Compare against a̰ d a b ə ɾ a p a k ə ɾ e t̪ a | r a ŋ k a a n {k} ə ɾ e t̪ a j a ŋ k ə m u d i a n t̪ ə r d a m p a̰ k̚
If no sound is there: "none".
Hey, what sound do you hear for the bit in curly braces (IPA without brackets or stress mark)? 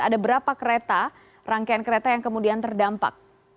k